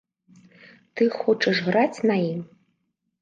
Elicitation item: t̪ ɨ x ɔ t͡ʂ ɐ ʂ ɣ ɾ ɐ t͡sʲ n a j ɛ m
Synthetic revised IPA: t̪ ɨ x ɔ t͡ʂ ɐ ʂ ɣ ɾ a t͡sʲ n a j i m